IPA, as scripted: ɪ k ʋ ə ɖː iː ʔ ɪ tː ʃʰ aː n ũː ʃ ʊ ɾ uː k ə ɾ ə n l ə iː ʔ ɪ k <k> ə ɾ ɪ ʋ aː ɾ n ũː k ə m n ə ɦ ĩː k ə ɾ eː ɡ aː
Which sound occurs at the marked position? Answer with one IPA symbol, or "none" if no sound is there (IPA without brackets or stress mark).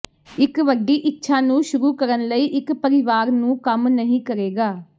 p